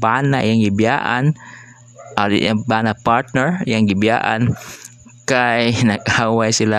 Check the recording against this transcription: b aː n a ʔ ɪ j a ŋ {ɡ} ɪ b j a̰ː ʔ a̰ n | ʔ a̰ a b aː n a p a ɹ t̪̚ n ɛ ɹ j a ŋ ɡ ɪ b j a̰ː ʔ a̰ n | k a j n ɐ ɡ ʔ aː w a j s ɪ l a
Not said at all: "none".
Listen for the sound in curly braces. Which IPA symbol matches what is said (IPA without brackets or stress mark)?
ɡ